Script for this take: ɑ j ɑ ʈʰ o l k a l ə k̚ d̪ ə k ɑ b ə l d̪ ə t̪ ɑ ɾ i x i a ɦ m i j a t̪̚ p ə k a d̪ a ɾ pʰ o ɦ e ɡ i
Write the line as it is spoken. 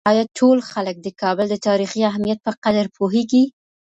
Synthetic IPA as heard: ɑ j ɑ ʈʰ o l x a l ə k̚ d̪ ə k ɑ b ə l d̪ ə t̪ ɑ ɾ i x i a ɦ m i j a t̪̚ p ə q a d̪ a ɾ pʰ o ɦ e ɡ i